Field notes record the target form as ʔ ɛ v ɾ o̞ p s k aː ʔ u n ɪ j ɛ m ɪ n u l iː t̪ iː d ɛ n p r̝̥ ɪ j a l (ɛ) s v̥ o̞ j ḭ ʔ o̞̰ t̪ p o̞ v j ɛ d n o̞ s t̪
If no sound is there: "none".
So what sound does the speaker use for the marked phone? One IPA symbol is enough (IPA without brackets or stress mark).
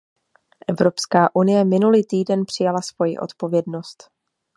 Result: a